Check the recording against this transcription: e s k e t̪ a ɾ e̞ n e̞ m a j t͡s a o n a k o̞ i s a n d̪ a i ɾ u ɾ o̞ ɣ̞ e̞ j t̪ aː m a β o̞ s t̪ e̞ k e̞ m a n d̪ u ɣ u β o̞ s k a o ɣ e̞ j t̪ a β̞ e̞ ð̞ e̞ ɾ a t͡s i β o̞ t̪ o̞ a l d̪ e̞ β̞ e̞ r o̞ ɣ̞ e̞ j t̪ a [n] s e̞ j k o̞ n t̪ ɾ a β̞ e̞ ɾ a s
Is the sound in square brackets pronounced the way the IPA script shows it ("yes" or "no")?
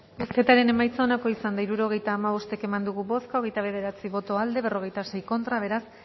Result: no